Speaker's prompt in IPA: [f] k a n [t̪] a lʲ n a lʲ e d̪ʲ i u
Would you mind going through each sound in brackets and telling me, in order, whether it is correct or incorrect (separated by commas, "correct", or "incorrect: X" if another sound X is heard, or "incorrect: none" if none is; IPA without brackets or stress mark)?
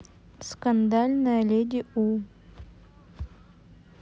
incorrect: s, incorrect: d̪